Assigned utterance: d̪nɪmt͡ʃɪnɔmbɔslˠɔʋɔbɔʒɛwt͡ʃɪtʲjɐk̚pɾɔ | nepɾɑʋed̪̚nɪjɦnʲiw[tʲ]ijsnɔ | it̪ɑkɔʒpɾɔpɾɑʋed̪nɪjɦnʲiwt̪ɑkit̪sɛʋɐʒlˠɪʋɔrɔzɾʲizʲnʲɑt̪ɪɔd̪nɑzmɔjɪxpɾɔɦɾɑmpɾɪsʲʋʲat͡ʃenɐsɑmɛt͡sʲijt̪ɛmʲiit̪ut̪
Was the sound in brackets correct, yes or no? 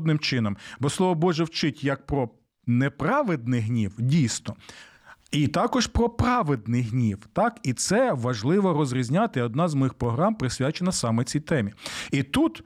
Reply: no